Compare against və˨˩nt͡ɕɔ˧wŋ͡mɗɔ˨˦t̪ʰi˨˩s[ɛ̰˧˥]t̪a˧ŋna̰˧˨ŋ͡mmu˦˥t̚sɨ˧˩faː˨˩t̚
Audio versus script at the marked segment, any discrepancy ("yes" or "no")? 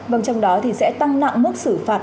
no